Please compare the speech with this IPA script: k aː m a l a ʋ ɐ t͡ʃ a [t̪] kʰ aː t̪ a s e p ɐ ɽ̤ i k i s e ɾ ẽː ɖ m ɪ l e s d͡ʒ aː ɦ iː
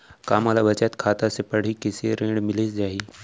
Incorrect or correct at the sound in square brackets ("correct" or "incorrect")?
correct